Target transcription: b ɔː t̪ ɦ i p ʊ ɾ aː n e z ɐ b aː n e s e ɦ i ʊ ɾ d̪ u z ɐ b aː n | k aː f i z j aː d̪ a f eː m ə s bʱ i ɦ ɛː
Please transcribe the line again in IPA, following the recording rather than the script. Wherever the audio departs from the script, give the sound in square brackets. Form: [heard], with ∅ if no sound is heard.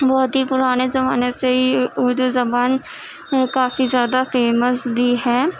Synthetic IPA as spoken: b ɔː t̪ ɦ i p ʊ ɾ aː n e z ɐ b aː n e s e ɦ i ʊ ɾ d̪ u z ɐ b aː n | k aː f i z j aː d̪ a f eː m ə s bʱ i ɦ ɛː